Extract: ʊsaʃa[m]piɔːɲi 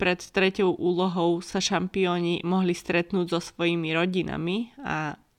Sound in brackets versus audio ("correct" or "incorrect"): correct